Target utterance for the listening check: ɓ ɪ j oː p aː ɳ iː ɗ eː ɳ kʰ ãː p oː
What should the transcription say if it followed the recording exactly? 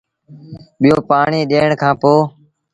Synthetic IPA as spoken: ɓ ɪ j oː p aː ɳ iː ɗ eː ɳ kʰ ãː p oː